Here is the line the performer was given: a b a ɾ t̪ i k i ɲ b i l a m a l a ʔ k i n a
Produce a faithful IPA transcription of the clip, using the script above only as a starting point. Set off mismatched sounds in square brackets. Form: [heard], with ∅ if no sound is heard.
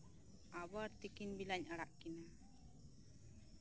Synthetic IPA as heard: a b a ɾ t̪ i k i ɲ b i l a [ɲ] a [ɽ] a ʔ k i n a